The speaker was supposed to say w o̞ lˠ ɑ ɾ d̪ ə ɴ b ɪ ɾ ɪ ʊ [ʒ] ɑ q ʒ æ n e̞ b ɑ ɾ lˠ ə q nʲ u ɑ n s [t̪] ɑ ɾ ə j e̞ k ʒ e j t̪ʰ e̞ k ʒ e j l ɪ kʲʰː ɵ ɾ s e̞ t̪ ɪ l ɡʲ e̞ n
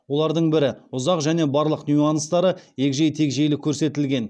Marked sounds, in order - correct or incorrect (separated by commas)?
incorrect, correct